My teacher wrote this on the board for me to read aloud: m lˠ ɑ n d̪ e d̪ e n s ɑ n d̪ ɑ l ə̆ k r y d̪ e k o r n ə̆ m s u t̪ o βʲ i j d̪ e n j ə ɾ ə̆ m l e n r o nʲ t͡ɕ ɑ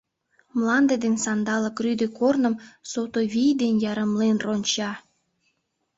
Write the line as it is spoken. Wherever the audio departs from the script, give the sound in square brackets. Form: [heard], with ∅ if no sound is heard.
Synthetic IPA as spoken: m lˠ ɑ n d̪ e d̪ e n s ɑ n d̪ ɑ l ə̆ k r y d̪ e k o r n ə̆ m s [o] t̪ o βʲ i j d̪ e n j [ɑ] ɾ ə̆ m l e n r o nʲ t͡ɕ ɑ